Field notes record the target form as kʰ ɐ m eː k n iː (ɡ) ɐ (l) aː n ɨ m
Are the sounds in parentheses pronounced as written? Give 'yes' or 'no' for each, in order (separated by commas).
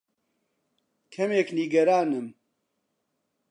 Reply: yes, no